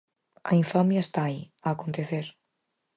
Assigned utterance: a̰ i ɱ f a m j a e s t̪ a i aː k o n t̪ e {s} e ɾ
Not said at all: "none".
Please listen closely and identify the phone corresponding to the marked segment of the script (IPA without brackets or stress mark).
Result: θ